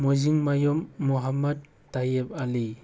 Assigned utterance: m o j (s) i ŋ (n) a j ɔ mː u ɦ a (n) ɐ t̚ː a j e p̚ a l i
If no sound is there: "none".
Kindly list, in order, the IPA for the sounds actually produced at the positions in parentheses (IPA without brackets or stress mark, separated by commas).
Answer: z, m, m